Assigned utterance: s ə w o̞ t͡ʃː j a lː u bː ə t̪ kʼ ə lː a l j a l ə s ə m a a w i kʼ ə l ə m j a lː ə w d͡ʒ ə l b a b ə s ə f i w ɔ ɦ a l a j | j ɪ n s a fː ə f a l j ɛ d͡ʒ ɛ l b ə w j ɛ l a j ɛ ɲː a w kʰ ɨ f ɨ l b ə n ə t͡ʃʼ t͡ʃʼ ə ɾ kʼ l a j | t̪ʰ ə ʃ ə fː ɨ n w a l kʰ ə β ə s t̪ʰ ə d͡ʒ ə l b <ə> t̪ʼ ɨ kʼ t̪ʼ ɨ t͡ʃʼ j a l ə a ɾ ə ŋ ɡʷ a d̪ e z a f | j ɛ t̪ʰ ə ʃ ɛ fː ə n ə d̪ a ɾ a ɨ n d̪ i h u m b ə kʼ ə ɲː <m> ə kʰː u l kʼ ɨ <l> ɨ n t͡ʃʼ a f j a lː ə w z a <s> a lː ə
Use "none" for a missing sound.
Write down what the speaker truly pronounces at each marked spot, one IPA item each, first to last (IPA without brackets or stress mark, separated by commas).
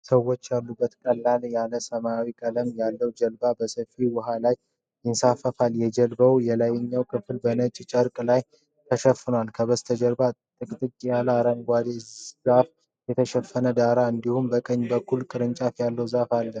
a, b, ɾ, f